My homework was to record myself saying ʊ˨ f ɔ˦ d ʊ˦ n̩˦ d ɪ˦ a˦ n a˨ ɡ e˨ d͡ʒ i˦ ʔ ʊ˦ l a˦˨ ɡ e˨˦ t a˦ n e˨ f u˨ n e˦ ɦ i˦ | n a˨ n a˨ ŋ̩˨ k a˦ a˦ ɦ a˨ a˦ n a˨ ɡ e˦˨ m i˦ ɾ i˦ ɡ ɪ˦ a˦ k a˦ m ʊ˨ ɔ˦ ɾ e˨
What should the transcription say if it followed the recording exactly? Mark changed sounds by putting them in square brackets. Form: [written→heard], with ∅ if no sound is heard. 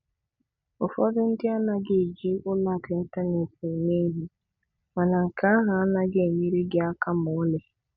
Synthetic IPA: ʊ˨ f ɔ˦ d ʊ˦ n̩˦ d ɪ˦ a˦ n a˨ ɡ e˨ d͡ʒ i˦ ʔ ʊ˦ l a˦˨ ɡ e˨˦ t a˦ n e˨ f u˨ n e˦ ɦ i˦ | [n→m] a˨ n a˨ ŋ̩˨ k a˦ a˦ ɦ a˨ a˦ n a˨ ɡ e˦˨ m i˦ ɾ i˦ ɡ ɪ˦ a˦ k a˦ m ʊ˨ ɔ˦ [ɾ→l] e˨